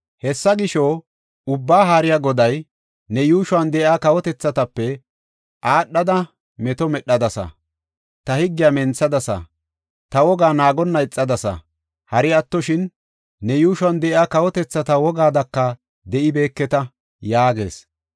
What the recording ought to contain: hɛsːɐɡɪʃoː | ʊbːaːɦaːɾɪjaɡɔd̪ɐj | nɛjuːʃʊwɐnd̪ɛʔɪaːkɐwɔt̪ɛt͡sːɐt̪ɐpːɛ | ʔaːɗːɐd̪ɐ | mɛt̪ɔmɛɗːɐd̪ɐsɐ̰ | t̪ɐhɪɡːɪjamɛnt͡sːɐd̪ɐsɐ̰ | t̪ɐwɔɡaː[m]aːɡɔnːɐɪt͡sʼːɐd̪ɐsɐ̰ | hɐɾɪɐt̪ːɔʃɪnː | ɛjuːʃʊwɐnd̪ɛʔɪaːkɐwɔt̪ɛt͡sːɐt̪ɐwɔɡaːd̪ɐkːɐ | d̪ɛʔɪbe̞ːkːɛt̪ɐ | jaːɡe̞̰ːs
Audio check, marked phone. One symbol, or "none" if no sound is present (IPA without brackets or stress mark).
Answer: n